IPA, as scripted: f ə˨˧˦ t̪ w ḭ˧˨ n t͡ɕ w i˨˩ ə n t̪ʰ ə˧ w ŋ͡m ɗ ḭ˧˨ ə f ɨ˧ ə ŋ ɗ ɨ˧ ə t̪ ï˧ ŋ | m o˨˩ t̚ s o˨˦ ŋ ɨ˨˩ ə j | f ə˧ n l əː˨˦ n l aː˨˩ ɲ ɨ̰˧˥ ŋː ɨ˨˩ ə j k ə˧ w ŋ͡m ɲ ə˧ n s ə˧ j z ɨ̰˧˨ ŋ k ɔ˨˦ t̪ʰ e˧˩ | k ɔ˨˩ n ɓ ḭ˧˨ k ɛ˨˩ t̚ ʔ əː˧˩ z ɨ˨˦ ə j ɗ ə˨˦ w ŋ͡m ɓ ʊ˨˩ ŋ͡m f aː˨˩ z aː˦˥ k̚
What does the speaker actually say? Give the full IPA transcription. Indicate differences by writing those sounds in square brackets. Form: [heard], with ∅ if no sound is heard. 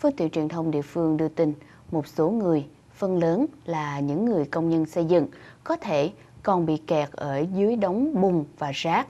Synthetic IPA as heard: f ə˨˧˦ t̪ w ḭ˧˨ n t͡ɕ w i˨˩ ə n t̪ʰ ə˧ w ŋ͡m ɗ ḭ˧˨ ə f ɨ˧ ə ŋ ɗ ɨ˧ ə t̪ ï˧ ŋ | m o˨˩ t̚ s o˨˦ ŋ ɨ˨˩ ə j | f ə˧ n l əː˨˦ n l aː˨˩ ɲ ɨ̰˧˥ ŋː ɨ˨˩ ə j k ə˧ w ŋ͡m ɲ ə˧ n s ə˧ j z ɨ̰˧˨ ŋ k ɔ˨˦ t̪ʰ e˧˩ | k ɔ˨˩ n ɓ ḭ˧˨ k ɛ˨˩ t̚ ʔ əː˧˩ z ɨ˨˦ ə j ɗ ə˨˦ w ŋ͡m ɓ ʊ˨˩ ŋ͡m [v] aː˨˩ z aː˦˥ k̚